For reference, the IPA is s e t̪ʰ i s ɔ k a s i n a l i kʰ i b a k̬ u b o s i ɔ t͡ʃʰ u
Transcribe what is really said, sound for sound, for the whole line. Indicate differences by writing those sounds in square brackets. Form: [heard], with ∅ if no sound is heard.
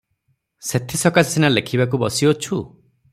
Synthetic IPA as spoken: s e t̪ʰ i s ɔ k a s i n a l [e] kʰ i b a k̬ u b [ɔ] s i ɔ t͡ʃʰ u

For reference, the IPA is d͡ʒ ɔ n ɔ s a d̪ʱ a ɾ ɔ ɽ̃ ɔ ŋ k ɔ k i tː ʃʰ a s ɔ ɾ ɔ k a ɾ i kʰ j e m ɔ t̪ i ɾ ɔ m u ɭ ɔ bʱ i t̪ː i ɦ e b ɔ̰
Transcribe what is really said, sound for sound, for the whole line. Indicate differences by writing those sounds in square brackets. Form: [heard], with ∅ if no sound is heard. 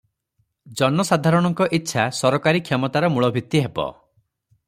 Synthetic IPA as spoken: d͡ʒ ɔ n ɔ s a d̪ʱ a ɾ ɔ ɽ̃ ɔ ŋ k ɔ [ʔ] i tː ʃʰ a s ɔ ɾ ɔ k a ɾ i kʰ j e m ɔ t̪ [a] ɾ ɔ m u ɭ ɔ bʱ i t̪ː i ɦ e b ɔ̰

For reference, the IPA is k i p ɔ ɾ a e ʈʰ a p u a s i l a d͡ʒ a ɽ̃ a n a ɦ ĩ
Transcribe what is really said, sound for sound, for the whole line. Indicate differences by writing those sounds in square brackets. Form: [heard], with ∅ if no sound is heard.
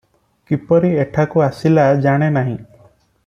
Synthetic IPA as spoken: k i p ɔ ɾ [i] e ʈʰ a [k] u a s i l a d͡ʒ a ɽ̃ [e] n a ɦ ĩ

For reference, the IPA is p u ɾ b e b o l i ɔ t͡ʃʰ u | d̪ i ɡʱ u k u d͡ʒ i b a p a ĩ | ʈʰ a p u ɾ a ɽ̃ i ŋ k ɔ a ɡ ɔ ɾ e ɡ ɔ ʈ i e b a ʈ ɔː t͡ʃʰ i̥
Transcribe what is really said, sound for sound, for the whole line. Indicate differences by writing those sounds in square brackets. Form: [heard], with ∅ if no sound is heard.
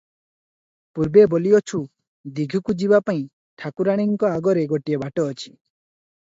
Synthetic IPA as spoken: p u ɾ b e b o l i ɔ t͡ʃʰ u | d̪ i ɡʱ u k u d͡ʒ i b a p a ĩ | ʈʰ a [k] u ɾ a ɽ̃ i ŋ k ɔ a ɡ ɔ ɾ e ɡ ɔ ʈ i e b a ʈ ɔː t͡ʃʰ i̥

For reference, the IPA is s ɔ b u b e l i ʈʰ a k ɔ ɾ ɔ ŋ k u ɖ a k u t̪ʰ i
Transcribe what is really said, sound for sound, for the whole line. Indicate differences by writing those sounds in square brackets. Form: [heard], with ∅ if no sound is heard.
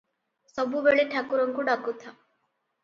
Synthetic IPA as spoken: s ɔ b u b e [ɭ] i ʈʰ a k [u] ɾ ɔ ŋ k u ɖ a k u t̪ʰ [a]

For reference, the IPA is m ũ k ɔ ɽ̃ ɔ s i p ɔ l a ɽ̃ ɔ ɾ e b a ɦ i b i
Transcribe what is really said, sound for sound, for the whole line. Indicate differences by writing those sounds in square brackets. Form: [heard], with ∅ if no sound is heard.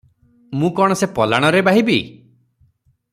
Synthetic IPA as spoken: m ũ k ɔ ɽ̃ ɔ s [e] p ɔ l a ɽ̃ ɔ ɾ e b a ɦ i b i

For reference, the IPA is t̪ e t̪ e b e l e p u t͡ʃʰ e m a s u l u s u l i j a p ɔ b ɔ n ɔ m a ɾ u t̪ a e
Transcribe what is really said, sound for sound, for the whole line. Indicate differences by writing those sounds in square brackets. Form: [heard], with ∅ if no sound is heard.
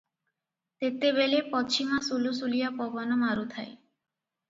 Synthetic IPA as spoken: t̪ e t̪ e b e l e p [ɔ] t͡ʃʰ [i] m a s u l u s u l i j a p ɔ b ɔ n ɔ m a ɾ u [t̪ʰ] a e

